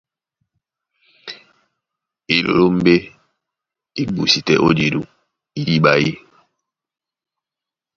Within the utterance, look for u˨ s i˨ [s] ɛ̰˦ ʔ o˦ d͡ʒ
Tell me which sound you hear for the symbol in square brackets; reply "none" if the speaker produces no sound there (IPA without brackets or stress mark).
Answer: t